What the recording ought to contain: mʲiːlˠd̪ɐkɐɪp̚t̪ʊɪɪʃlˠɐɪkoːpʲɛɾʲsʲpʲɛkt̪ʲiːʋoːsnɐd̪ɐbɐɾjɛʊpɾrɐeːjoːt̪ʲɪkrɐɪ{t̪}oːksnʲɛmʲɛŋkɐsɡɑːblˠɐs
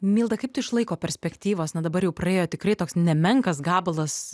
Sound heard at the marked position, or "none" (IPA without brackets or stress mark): t̪